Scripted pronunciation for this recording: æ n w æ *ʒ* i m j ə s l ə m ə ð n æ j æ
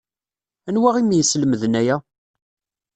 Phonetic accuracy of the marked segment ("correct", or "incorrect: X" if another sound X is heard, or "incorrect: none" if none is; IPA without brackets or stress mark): incorrect: ʁ